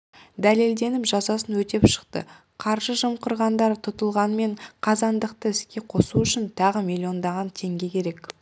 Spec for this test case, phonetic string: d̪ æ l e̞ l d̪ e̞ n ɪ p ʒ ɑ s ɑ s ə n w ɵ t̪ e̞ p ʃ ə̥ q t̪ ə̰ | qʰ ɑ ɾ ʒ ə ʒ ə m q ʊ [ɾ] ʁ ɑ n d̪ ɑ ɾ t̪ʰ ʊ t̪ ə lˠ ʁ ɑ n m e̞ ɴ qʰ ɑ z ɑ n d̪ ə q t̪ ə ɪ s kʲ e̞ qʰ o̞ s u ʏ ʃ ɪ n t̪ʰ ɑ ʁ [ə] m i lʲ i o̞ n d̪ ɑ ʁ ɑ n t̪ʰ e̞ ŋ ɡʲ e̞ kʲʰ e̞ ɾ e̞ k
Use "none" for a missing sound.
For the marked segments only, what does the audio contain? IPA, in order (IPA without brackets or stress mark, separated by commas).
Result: ɾ, ə